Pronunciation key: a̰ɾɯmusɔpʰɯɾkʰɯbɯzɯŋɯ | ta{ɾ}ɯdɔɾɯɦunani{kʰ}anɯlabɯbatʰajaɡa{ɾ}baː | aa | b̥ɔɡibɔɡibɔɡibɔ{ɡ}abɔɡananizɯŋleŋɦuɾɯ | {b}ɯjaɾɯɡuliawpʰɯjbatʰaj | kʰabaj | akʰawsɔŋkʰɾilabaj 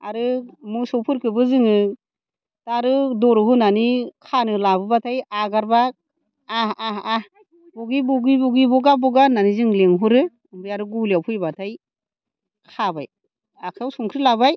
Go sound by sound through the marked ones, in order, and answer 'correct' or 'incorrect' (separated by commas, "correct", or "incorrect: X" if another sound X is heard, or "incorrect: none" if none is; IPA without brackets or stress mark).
correct, correct, correct, correct, correct